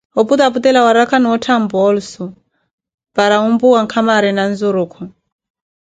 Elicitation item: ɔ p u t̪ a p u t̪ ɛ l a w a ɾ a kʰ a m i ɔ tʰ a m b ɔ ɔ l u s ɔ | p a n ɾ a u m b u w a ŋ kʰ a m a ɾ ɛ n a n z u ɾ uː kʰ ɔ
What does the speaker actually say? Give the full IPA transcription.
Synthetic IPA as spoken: ɔ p u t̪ a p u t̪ ɛ l a w a ɾ a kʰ a n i ɔ tʰ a m b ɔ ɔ l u s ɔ | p a ɾ a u m b u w a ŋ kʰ a m a ɾ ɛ n a n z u ɾ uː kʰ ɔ